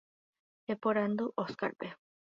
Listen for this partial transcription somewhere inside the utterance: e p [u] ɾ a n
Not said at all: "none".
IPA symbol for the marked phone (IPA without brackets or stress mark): o